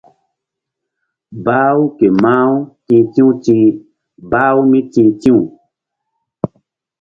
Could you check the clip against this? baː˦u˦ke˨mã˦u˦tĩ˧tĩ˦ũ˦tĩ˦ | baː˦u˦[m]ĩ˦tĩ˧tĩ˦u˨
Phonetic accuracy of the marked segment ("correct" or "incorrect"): correct